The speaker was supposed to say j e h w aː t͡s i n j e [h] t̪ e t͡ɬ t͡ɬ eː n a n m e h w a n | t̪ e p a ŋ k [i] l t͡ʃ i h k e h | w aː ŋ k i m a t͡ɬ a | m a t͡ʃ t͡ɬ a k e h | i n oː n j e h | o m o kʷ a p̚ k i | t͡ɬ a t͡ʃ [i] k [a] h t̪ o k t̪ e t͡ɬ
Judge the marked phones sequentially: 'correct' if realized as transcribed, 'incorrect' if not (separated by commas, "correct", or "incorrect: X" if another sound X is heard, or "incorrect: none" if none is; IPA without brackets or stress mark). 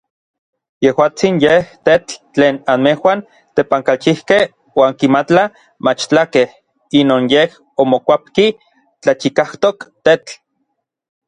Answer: correct, incorrect: a, correct, correct